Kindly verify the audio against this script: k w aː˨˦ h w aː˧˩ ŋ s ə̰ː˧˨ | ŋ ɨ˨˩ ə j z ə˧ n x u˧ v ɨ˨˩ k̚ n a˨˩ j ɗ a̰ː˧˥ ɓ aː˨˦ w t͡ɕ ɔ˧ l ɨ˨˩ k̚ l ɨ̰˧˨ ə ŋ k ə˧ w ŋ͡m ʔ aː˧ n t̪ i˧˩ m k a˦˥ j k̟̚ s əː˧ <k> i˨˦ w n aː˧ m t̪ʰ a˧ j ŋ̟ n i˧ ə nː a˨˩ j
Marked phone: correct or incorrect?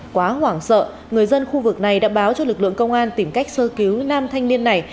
correct